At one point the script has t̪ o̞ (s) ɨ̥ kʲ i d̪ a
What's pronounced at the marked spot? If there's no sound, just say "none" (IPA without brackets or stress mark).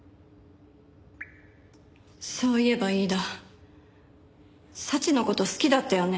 s